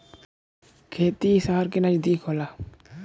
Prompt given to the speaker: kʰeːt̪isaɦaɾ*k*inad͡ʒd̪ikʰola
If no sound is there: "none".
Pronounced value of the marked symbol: k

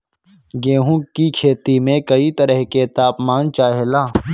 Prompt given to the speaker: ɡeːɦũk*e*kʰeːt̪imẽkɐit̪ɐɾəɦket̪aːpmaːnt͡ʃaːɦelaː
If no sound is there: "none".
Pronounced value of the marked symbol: i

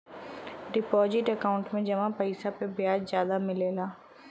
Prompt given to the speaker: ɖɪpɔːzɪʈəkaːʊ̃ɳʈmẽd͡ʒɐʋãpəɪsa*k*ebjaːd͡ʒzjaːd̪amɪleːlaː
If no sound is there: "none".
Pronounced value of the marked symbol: p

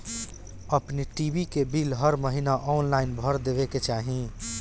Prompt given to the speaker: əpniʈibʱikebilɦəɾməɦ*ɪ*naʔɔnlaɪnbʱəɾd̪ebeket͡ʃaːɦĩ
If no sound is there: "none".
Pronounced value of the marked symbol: i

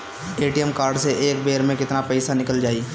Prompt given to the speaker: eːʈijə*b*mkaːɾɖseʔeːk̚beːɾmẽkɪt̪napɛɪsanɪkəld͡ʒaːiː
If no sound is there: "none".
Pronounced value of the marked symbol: none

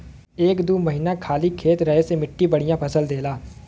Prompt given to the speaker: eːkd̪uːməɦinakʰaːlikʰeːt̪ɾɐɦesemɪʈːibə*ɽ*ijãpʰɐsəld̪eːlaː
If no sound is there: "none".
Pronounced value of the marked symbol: ɽ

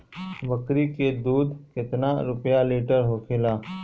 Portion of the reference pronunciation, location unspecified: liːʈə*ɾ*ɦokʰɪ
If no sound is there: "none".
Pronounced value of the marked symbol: ɾ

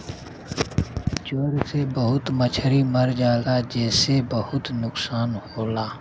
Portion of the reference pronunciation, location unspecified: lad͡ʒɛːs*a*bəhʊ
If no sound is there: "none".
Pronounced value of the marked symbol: e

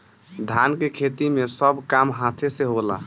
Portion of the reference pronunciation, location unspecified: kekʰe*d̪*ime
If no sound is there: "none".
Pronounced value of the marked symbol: t̪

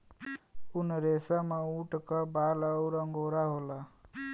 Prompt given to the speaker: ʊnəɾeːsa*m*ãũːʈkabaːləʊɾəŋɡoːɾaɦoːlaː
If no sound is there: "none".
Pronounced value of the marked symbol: m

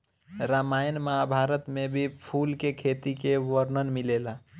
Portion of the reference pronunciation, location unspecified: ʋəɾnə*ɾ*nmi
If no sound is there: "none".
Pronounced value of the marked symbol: none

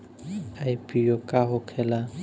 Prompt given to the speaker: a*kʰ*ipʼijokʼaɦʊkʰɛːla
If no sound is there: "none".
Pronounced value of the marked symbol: none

